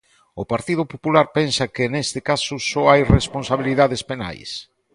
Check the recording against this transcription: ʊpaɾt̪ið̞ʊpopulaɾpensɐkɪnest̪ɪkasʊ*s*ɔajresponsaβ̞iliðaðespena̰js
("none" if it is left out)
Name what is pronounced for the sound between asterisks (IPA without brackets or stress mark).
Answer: s